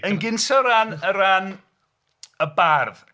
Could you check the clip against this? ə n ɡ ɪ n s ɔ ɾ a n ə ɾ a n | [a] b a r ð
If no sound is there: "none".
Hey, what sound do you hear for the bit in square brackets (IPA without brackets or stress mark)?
ə